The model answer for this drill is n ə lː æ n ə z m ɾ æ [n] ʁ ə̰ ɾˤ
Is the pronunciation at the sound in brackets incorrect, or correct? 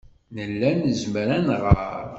correct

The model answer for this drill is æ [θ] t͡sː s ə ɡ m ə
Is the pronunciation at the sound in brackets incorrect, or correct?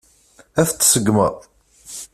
correct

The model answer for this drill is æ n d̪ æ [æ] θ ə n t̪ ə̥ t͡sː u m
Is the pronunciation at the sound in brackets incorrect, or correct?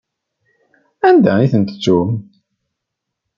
incorrect: i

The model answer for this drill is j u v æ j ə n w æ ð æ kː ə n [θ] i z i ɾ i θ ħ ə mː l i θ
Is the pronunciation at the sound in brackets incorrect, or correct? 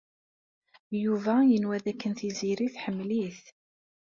correct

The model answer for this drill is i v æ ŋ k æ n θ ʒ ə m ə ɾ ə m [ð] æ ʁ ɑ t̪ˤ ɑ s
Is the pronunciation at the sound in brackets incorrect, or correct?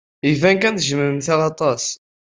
incorrect: θ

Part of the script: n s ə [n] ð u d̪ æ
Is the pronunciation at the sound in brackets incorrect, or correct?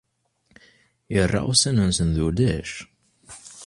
correct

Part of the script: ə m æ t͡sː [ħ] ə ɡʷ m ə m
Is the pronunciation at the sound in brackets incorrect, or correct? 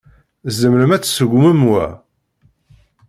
incorrect: s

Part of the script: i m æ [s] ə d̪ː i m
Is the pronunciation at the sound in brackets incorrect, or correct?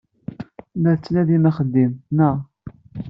incorrect: χ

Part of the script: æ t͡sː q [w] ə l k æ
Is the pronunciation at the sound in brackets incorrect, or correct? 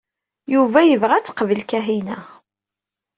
incorrect: v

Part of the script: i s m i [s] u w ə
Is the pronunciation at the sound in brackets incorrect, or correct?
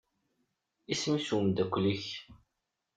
correct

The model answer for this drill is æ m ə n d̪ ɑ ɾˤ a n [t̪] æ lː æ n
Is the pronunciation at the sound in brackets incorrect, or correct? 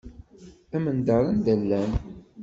incorrect: d̪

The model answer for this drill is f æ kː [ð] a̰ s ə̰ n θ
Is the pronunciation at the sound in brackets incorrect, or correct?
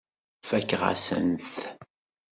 incorrect: ʁ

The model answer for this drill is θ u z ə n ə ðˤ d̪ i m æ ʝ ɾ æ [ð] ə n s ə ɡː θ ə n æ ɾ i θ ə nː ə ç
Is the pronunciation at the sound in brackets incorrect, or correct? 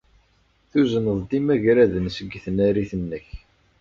correct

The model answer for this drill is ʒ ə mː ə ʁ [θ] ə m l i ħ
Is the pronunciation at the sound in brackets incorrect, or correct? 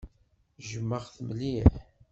correct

